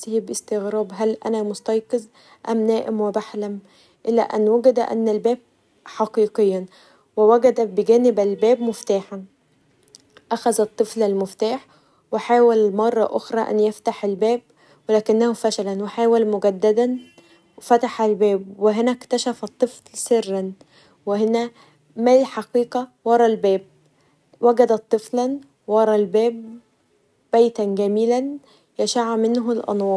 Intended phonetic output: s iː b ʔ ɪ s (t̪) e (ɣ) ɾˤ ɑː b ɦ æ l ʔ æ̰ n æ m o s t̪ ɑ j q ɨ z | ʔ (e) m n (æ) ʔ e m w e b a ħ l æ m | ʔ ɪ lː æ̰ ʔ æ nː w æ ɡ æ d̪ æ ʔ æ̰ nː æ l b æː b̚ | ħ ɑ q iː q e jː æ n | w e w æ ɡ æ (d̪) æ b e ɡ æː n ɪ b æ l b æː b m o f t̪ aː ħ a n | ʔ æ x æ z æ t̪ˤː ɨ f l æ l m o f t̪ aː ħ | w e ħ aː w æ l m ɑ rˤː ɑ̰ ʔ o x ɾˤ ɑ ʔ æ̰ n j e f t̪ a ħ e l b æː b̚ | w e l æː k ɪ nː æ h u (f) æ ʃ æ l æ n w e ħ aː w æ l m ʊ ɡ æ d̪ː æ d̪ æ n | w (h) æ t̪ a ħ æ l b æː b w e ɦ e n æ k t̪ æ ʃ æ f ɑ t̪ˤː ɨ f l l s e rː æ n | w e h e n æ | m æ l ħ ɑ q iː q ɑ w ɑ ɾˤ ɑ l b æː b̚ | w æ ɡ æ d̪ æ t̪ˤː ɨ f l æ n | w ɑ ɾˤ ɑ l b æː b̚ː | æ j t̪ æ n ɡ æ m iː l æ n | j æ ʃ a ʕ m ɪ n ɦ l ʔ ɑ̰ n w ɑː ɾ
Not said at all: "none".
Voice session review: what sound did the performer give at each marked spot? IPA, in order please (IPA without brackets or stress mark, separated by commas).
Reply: t̪, ɣ, æ, æː, d̪, f, f